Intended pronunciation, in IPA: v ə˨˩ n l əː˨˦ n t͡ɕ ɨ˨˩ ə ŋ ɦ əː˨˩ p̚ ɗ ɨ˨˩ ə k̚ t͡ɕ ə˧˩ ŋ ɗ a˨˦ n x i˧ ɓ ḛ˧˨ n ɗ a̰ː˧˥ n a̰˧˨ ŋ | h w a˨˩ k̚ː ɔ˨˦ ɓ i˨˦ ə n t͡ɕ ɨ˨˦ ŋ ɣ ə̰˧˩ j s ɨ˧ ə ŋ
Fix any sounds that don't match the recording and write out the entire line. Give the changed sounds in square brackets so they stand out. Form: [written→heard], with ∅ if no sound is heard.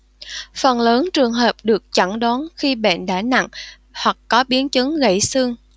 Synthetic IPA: [v→f] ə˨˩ n l əː˨˦ n t͡ɕ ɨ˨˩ ə ŋ ɦ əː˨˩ p̚ ɗ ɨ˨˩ ə k̚ t͡ɕ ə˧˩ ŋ ɗ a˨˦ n x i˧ ɓ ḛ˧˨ n ɗ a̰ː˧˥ n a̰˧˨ ŋ | h w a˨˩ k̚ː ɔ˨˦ ɓ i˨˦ ə n t͡ɕ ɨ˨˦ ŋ ɣ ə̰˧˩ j s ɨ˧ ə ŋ